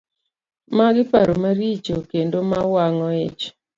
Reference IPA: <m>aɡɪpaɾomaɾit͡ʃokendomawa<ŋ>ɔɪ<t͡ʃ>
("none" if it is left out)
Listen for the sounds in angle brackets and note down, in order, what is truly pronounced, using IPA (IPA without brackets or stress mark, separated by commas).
m, ŋ, t͡ʃ